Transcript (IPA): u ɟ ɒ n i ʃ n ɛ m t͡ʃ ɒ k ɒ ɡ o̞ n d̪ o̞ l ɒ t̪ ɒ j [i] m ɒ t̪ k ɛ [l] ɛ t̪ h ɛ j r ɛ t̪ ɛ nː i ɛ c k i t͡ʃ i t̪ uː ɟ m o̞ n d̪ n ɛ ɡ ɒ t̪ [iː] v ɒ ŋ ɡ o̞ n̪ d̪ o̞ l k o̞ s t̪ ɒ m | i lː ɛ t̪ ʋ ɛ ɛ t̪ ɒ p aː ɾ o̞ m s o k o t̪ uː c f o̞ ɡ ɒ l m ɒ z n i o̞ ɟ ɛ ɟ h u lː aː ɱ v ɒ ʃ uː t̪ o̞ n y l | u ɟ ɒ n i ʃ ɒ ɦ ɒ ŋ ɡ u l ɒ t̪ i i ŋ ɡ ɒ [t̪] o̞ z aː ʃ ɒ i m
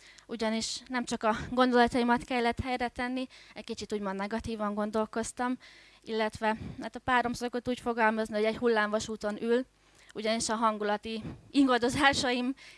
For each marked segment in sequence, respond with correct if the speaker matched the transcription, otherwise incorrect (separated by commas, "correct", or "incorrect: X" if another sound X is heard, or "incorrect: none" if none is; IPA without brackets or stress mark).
correct, incorrect: lː, correct, incorrect: d̪